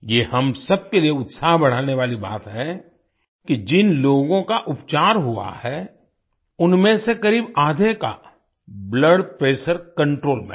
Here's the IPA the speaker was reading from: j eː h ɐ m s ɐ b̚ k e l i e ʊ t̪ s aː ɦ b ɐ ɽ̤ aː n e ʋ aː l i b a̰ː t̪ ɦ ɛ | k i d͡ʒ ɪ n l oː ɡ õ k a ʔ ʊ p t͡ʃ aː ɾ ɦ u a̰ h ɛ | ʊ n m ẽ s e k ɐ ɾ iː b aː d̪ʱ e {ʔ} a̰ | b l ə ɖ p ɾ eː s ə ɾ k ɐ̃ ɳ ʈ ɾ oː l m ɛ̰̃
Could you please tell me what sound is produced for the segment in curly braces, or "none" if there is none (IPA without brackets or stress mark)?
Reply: k